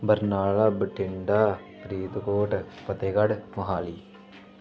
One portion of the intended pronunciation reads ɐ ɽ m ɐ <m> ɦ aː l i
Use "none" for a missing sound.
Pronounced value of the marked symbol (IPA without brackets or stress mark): none